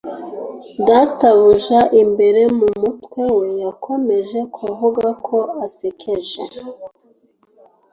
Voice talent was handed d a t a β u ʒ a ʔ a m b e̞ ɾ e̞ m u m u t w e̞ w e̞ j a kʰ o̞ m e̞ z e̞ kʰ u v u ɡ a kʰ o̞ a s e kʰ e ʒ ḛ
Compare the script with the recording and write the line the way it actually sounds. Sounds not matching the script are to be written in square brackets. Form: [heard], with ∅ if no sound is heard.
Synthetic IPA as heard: d a t a β u ʒ a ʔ [i] m b e̞ ɾ e̞ m u m u t w e̞ w e̞ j a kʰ o̞ m e̞ [ʒ] e̞ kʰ u v u ɡ a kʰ o̞ a s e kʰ e ʒ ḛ